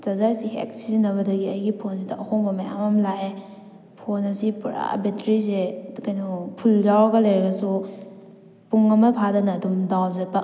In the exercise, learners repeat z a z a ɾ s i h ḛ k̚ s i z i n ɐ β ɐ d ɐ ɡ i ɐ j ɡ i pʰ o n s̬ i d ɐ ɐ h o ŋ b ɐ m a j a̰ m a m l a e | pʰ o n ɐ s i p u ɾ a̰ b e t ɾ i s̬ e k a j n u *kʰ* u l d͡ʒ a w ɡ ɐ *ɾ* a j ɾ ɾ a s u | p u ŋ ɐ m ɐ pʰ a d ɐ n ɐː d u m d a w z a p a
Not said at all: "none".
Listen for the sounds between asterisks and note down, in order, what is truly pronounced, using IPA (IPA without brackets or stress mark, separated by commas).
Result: pʰ, l